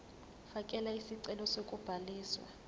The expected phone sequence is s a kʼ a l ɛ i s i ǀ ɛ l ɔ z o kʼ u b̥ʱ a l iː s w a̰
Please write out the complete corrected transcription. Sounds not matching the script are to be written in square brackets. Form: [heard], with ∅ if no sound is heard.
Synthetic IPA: [f] a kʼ [ɛ] l [a] i s i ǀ ɛ l ɔ [s] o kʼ u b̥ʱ a l iː s w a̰